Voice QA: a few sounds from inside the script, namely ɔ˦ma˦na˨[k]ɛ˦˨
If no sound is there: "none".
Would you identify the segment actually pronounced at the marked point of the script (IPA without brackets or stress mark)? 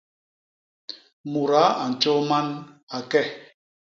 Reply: k